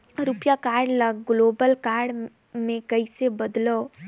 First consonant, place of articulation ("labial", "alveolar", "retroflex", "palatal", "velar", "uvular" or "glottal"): alveolar